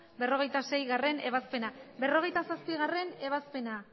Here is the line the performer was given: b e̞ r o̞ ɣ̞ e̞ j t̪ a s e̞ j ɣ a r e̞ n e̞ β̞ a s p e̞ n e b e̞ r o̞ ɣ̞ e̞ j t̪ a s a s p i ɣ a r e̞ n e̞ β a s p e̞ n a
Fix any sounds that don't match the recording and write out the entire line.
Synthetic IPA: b e̞ r o̞ ɣ̞ e̞ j t̪ a s e̞ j ɣ a r e̞ n e̞ β̞ a s p e̞ n a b e̞ r o̞ ɣ̞ e̞ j t̪ a s a s p i ɣ a r e̞ n e̞ β a s p e̞ n a